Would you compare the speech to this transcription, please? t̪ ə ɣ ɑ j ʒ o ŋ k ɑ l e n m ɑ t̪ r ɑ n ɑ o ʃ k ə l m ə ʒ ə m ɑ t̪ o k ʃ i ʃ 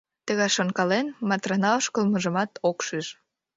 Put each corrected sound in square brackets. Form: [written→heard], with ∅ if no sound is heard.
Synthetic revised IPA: t̪ ə ɣ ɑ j [ʒ→ʃ] o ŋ k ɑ l e n m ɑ t̪ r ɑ n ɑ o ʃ k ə l m ə ʒ ə m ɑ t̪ o k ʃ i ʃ